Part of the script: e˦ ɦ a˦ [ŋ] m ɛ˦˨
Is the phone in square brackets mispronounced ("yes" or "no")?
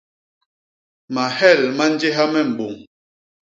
yes